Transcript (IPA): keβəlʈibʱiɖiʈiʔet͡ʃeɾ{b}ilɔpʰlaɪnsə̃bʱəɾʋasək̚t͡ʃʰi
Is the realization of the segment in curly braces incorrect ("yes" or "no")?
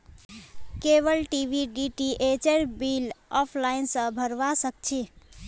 no